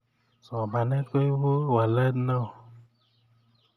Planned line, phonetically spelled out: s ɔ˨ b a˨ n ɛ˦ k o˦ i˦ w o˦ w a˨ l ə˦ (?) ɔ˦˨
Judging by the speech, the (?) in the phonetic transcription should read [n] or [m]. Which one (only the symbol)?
n